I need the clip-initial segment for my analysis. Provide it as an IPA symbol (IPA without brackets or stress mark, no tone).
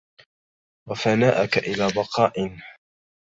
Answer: w